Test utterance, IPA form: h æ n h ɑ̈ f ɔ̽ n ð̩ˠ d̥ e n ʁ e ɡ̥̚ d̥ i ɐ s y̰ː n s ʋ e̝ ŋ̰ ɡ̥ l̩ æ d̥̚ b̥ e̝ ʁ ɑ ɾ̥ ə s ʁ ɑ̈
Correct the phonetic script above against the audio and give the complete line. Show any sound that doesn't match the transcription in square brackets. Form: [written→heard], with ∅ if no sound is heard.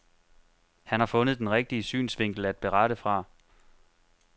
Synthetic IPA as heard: h æ n h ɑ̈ f ɔ̽ n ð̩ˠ d̥ e n ʁ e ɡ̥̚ d̥ i [ɐ→ə] s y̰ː n s ʋ e̝ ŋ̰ ɡ̥ l̩ æ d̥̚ b̥ e̝ ʁ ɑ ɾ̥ ə [s→f] ʁ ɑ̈